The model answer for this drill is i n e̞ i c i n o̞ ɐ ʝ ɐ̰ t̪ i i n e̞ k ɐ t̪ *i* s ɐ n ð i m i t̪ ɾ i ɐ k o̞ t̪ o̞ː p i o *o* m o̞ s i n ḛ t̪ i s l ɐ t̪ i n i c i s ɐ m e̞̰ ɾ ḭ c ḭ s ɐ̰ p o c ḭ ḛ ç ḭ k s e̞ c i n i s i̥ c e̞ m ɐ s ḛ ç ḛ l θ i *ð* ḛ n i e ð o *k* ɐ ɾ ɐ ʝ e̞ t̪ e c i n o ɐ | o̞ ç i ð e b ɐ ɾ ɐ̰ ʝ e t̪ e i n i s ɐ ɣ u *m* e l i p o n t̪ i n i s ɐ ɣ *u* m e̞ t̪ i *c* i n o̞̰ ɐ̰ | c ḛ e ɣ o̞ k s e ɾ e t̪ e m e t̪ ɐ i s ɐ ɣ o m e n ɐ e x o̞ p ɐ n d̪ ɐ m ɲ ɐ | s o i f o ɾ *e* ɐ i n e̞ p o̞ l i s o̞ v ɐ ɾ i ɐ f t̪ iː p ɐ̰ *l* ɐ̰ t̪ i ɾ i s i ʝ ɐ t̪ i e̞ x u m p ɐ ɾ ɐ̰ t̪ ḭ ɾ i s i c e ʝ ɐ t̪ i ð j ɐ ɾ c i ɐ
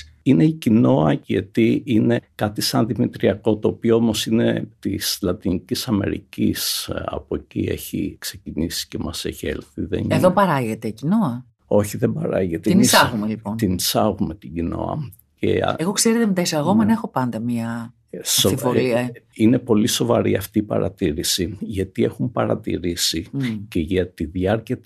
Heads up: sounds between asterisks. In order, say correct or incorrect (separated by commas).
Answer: correct, correct, correct, incorrect, correct, correct, incorrect, incorrect, incorrect